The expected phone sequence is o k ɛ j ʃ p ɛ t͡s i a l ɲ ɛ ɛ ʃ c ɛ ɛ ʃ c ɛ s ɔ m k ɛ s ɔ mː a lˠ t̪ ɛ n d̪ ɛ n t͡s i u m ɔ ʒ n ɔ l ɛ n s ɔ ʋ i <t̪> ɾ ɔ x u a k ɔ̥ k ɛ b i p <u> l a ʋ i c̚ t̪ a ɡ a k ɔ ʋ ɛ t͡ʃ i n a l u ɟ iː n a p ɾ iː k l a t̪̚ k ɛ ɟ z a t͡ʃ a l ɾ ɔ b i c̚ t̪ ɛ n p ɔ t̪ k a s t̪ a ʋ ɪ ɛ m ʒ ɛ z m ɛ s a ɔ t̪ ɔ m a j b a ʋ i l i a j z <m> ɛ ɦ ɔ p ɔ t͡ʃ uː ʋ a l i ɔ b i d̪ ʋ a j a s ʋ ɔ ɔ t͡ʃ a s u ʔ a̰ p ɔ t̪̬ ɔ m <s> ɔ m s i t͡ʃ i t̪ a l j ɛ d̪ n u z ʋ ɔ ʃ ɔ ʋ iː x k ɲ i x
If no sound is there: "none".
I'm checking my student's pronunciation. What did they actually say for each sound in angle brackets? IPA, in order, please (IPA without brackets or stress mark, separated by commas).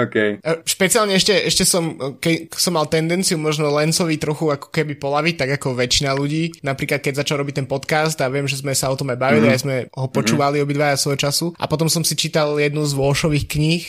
t̪, ɔ, m, s